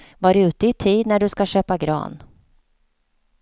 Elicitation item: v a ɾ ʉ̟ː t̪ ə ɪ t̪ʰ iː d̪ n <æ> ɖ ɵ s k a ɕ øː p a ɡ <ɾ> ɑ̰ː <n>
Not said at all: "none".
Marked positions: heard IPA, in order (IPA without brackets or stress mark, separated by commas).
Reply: æ, ɾ, n